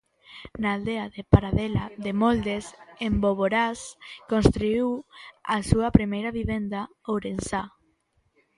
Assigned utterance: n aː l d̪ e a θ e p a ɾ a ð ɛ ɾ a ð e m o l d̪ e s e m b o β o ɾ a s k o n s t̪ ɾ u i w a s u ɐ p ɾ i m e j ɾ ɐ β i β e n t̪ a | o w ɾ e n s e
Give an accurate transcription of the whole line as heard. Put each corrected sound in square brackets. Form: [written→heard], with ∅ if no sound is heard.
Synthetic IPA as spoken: n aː l d̪ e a [θ→ð] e p a ɾ a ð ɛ [ɾ→l] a ð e m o l d̪ e s e m b o β o ɾ a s k o n s t̪ ɾ u i w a s u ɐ p ɾ i m e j ɾ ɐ β i β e n [t̪→d̪] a | o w ɾ e n s [e→a]